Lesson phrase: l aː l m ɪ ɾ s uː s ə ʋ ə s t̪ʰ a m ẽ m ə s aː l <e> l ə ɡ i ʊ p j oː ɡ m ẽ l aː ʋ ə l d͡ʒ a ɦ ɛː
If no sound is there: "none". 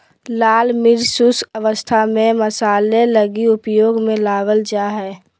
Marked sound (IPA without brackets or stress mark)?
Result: e